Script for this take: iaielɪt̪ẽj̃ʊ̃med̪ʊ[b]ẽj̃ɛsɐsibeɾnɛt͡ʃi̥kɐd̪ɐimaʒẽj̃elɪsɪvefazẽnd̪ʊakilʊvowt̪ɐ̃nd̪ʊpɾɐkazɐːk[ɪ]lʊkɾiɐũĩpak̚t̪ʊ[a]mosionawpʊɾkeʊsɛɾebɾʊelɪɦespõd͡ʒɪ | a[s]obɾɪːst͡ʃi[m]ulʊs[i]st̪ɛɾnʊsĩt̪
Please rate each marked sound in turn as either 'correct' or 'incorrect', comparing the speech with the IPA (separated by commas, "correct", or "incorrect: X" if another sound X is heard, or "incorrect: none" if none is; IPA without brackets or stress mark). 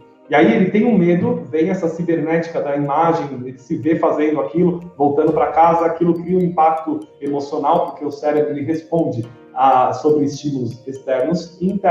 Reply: incorrect: v, incorrect: i, incorrect: e, correct, correct, incorrect: e